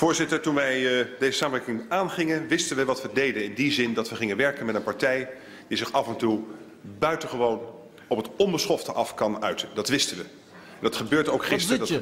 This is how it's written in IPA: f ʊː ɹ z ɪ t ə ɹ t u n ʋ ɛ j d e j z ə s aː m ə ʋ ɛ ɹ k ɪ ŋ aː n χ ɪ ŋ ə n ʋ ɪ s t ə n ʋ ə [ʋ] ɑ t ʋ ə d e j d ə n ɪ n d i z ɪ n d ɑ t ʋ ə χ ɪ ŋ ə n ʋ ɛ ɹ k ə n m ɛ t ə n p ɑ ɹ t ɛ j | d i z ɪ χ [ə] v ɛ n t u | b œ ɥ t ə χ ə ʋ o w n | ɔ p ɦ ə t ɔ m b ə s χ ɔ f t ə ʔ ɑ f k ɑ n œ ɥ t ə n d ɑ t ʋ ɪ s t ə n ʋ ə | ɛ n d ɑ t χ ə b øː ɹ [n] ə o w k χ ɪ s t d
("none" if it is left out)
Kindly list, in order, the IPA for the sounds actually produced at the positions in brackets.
ʋ, ɑ, d

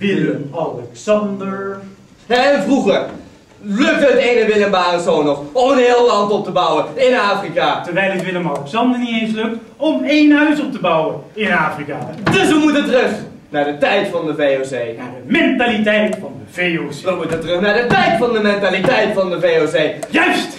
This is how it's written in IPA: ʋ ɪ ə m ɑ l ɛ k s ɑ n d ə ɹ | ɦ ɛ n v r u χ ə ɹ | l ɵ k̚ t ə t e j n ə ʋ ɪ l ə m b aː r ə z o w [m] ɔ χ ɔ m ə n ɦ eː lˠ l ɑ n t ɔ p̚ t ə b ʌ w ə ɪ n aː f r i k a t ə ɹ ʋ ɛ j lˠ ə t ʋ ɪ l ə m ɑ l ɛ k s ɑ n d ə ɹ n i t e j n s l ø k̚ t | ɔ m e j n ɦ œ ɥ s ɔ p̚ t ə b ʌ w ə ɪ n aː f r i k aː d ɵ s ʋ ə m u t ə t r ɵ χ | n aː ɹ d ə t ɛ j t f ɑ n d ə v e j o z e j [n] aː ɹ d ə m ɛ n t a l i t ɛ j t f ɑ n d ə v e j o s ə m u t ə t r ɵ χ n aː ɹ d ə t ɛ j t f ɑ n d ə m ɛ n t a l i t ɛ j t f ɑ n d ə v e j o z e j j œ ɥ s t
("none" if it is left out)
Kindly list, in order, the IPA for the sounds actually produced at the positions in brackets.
n, n

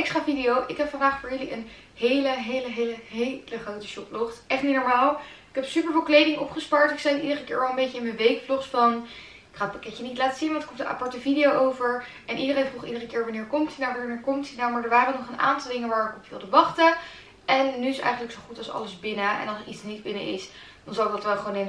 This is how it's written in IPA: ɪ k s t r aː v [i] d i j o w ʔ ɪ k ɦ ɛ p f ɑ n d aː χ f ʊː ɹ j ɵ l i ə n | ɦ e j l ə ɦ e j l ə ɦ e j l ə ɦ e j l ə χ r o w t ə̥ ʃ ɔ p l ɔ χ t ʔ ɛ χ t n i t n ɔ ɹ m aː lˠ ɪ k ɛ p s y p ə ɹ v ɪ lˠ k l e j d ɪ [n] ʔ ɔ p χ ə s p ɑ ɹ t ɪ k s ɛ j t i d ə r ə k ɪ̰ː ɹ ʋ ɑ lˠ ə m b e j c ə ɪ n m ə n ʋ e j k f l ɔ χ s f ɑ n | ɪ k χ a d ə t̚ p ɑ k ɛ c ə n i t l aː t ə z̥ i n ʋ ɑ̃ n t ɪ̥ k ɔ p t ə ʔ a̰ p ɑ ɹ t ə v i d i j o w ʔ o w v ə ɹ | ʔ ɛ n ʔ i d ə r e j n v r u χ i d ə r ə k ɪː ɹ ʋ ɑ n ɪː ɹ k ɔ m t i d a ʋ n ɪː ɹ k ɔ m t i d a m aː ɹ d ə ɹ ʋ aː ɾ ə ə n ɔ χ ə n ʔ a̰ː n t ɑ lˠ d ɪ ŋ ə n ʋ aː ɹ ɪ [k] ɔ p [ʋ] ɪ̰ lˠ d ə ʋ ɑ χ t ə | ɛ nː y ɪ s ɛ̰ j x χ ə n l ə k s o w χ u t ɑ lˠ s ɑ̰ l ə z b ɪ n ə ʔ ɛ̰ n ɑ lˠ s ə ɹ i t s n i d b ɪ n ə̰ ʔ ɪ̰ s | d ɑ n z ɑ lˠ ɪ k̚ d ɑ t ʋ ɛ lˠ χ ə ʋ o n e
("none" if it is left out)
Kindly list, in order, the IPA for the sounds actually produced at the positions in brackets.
i, ŋ, k, ʋ

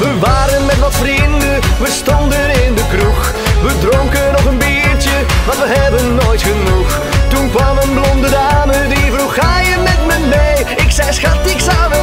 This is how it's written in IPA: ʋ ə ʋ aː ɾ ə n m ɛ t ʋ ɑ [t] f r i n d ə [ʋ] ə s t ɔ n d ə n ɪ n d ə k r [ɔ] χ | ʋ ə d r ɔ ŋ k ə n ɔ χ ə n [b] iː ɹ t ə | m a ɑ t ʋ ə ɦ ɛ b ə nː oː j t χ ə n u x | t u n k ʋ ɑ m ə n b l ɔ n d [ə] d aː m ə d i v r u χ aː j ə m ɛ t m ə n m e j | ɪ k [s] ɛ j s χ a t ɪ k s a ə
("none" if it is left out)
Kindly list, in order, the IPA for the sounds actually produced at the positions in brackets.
t, ʋ, u, b, ə, s

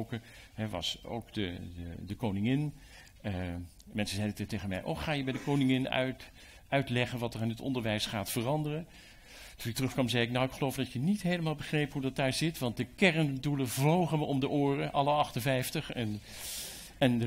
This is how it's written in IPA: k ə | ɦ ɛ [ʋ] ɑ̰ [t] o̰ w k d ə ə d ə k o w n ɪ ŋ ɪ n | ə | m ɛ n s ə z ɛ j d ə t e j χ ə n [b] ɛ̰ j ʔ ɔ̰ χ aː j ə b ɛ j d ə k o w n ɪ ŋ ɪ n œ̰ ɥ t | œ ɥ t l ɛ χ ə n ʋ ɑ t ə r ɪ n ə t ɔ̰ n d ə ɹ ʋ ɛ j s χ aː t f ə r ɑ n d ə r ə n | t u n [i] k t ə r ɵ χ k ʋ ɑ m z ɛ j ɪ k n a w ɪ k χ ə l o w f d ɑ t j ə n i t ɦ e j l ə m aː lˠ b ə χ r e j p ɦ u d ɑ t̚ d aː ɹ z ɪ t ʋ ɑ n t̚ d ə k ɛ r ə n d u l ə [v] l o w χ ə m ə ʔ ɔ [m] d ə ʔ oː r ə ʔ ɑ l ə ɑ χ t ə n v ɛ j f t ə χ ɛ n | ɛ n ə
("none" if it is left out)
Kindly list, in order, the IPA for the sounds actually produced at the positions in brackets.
ʋ, s, m, ɪ, v, m

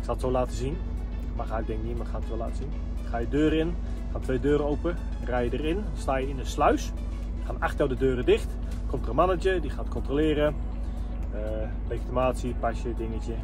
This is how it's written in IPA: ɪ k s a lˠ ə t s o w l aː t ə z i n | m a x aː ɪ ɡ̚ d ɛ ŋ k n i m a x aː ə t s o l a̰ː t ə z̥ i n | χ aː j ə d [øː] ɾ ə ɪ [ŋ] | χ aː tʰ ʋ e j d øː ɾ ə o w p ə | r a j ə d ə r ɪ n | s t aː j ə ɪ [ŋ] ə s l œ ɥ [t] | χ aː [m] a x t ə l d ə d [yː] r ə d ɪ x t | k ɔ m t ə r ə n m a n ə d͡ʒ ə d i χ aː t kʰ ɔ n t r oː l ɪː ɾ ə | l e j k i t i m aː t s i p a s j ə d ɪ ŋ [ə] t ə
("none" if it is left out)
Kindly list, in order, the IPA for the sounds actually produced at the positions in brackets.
øː, n, n, s, n, øː, ə

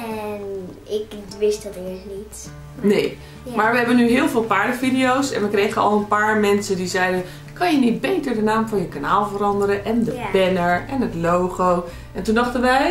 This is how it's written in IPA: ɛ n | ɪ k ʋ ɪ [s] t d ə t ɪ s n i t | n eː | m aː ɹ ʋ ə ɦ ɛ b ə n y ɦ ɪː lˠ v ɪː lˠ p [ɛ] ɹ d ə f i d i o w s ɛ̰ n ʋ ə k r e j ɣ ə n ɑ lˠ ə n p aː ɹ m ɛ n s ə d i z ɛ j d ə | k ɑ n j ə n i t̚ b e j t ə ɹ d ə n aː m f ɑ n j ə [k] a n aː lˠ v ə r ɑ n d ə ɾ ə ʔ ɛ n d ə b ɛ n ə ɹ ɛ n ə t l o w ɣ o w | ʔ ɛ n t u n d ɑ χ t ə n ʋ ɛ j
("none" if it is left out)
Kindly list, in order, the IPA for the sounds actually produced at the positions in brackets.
s, a, k

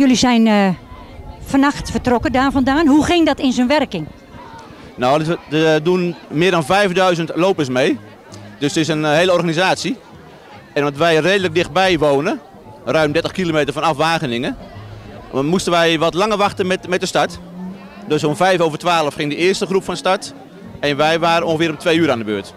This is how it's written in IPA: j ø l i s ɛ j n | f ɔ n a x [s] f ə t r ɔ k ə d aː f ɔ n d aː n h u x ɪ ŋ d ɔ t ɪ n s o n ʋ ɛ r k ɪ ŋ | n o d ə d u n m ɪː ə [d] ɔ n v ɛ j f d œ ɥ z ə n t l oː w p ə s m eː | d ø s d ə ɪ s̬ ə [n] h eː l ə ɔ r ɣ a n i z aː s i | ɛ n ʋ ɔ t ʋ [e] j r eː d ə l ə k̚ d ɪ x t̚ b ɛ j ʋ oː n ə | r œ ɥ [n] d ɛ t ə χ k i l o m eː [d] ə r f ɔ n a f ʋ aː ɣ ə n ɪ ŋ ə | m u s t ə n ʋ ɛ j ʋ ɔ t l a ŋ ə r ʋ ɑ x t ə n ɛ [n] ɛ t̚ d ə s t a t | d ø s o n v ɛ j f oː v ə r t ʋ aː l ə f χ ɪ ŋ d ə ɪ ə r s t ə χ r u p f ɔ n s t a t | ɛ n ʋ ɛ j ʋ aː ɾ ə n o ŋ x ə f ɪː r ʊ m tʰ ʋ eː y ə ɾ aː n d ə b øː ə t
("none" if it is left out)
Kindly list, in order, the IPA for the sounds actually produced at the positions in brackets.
t, d, n, ɛ, m, t, m

